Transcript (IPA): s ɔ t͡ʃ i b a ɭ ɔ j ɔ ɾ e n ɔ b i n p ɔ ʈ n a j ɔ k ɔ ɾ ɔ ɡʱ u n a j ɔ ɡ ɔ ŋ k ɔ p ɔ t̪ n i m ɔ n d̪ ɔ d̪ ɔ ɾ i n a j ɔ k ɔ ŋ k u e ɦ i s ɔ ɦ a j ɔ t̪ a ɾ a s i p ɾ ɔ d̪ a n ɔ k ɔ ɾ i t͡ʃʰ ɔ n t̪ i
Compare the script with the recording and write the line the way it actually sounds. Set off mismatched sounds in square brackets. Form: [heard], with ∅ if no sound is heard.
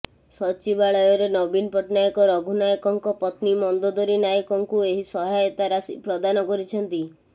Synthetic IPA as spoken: s ɔ t͡ʃ i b a ɭ ɔ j ɔ ɾ e n ɔ b i n p ɔ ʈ n a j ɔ k ɔ ɾ ɔ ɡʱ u n a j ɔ [k] ɔ ŋ k ɔ p ɔ t̪ n i m ɔ n d̪ ɔ d̪ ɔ ɾ i n a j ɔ k ɔ ŋ k u e ɦ i s ɔ ɦ a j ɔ t̪ a ɾ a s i p ɾ ɔ d̪ a n ɔ k ɔ ɾ i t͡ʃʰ ɔ n t̪ i